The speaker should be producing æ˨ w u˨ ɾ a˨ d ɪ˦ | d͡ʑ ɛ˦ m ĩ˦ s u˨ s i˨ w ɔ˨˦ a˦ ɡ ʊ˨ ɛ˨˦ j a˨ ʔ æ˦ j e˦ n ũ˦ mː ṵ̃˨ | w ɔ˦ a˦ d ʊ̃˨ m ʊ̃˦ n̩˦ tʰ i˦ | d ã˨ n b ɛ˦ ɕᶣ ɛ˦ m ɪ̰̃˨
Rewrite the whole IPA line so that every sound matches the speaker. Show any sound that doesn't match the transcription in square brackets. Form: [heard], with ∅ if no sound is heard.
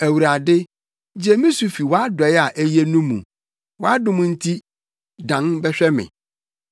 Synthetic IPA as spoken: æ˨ w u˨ ɾ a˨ d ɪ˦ | d͡ʑ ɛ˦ m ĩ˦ s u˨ [f] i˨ w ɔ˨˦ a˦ [d] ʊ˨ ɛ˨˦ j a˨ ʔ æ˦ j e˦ n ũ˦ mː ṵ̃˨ | w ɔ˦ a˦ d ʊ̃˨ m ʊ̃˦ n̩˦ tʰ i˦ | d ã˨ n b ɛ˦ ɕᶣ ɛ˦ m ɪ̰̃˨

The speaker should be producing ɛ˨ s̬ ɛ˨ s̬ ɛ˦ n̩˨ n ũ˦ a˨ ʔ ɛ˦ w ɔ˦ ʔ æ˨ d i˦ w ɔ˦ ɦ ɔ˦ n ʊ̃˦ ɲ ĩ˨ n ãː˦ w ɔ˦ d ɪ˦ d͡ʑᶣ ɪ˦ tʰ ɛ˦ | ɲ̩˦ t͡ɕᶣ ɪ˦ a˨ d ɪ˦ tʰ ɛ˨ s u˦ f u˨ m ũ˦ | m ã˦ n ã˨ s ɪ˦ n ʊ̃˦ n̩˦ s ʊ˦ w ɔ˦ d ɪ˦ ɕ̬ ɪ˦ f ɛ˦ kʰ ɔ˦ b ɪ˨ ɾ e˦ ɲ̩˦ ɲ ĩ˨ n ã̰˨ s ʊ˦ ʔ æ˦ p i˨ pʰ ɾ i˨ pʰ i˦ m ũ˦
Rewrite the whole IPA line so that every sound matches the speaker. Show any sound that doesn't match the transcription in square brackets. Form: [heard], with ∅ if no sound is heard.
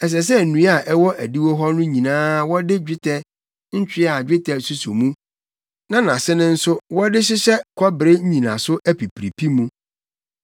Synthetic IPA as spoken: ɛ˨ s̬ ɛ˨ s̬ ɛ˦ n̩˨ n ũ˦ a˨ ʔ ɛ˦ w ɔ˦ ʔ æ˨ d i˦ w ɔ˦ ɦ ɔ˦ n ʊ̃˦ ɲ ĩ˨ n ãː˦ w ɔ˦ d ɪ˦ d͡ʑᶣ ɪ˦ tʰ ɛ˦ | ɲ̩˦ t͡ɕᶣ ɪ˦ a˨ [d͡ʑᶣ] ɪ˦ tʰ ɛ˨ s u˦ [s] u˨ m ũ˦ | [n] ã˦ n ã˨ s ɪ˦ n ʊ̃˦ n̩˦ s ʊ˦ w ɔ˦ d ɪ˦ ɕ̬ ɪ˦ [ɕ] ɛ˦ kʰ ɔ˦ b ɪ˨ ɾ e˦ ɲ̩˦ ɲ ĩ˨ n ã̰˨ s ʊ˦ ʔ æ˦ p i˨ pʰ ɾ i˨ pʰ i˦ m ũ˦

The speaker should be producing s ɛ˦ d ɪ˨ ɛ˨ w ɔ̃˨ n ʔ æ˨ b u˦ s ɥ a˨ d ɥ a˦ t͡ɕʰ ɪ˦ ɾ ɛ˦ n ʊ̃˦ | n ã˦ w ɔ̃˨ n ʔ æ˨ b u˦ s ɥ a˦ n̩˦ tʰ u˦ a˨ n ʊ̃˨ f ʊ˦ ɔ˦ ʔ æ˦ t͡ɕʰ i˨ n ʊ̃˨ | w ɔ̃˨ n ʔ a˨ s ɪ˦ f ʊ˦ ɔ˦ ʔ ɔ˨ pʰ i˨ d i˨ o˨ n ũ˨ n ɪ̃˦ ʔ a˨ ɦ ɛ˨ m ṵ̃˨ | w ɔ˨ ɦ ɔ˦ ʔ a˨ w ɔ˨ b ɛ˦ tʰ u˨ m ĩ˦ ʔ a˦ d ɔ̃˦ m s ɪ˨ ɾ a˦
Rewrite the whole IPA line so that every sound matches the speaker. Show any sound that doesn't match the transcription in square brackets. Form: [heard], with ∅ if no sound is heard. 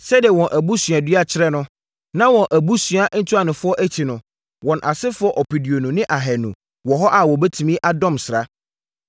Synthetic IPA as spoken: s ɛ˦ d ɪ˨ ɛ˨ w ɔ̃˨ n ʔ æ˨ b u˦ s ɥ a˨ d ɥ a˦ t͡ɕʰ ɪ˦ ɾ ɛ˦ n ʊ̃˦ | n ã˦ w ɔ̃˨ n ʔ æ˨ b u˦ s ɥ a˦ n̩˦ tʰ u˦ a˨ n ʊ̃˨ f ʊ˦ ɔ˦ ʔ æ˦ t͡ɕʰ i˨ n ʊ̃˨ | w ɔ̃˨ n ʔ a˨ s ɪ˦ f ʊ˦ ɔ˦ ʔ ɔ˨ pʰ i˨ d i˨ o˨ n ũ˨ n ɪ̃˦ ʔ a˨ ɦ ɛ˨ [n] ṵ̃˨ | w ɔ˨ ɦ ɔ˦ ʔ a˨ w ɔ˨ b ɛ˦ tʰ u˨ m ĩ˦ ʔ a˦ d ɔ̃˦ m s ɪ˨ ɾ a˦

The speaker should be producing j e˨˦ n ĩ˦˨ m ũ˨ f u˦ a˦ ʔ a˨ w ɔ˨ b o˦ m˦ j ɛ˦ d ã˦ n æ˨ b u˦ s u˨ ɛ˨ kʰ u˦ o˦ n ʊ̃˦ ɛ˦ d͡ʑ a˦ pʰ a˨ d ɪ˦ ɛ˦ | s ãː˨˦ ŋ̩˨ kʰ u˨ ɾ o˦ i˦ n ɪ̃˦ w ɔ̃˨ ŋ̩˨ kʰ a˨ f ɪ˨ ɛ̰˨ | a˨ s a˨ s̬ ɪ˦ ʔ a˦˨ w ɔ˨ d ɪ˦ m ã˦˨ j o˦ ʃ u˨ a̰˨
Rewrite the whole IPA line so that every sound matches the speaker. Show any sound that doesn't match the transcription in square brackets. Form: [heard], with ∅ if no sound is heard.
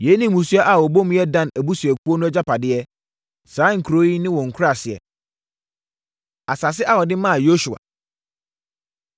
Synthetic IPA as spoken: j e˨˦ n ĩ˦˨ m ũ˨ [s] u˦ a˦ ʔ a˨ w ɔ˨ b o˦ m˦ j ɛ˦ d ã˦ n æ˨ b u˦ s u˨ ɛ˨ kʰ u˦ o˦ n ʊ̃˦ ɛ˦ d͡ʑ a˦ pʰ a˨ d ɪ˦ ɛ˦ | s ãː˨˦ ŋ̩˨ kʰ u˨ ɾ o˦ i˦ n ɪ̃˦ w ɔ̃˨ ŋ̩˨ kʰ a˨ [s] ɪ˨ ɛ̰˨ | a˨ s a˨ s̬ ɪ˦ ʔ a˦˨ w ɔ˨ d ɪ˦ m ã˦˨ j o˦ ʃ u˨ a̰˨

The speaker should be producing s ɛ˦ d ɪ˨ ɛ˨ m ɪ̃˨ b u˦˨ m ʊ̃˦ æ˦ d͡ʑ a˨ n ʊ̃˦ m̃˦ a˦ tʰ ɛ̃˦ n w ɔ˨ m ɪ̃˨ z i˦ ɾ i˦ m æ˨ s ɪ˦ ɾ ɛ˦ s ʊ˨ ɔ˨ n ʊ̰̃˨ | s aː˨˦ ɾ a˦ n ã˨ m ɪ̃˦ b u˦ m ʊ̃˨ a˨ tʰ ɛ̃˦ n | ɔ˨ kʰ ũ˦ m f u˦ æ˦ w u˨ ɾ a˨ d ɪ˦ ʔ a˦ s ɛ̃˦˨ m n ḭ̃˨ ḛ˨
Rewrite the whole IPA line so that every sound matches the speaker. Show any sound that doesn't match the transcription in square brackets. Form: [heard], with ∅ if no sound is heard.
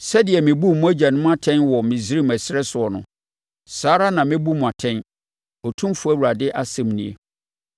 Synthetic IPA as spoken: s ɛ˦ d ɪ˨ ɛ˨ m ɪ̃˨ b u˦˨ m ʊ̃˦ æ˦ d͡ʑ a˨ n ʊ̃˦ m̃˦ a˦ tʰ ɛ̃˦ n w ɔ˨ m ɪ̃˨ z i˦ ɾ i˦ m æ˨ s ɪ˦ ɾ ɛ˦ s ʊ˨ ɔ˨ n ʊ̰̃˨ | s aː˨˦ ɾ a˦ n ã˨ m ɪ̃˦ b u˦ m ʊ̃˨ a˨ tʰ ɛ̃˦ n | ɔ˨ [tʰ] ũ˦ m f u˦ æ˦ w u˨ ɾ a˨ d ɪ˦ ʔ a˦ s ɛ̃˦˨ m n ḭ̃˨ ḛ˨

